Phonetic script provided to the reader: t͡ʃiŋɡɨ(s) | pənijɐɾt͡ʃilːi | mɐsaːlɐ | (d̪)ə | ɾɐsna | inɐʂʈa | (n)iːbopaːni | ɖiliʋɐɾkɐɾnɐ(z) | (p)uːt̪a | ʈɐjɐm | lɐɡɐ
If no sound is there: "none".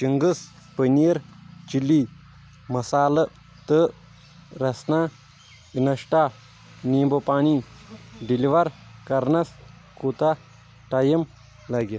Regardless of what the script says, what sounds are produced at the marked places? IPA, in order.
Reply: s, t̪, n, s, k

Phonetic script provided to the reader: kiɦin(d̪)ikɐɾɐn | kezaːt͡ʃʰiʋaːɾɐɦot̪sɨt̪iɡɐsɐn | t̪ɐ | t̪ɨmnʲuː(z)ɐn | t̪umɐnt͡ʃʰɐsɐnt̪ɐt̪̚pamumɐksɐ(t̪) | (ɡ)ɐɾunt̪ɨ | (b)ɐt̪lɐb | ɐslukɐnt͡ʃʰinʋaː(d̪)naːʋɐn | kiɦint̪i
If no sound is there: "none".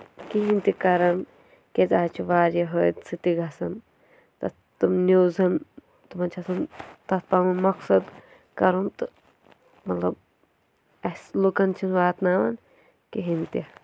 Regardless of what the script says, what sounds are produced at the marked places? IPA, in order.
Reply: t̪, z, d̪, k, m, t̪

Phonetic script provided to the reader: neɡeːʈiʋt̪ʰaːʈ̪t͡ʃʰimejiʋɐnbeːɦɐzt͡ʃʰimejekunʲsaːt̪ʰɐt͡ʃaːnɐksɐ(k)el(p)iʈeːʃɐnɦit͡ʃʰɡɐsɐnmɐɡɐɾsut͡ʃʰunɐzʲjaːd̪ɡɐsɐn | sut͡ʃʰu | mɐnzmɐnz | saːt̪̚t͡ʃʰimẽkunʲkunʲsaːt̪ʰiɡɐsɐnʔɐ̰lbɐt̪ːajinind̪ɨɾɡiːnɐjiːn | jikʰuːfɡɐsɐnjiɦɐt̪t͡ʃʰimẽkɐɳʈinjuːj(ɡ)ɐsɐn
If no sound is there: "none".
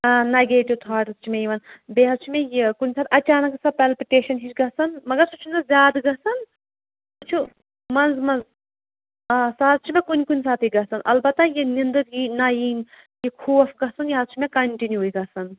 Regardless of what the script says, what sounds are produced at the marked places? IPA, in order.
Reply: p, p, ɡ

